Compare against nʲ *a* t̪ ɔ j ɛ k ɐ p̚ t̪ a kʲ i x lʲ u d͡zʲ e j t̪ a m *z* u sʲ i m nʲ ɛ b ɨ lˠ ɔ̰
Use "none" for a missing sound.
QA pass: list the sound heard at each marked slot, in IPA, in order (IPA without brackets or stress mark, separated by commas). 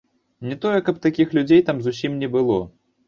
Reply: ɛ, z